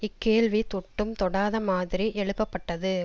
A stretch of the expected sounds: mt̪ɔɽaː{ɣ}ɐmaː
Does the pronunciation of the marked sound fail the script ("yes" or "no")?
yes